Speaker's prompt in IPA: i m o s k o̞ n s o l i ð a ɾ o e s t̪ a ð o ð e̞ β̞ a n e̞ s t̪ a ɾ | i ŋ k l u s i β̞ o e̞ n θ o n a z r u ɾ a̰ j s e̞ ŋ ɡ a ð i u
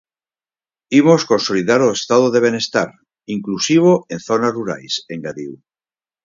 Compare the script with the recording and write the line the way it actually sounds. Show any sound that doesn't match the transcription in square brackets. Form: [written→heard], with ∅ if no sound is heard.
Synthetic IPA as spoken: i m o s k o̞ n s o l i ð a ɾ o e s t̪ a ð o ð e̞ β̞ [a→e] n e̞ s t̪ a ɾ | i ŋ k l u s i β̞ o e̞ n θ o n a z r u ɾ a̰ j s e̞ ŋ ɡ a ð i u